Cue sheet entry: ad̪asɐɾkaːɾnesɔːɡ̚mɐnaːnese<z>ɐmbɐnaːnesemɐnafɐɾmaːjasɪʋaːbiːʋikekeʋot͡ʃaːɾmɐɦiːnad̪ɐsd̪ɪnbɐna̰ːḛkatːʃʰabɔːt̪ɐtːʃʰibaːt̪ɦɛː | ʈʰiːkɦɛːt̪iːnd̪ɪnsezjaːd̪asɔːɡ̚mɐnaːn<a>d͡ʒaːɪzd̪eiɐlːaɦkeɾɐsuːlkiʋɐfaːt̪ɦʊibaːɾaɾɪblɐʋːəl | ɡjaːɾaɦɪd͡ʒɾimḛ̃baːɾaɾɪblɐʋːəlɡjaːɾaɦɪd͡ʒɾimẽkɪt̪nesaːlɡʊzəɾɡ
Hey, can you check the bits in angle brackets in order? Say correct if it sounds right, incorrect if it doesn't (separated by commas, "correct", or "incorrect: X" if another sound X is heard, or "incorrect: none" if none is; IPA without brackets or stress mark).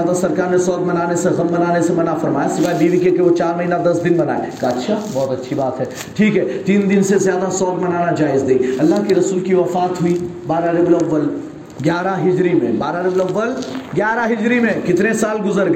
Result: incorrect: ɣ, correct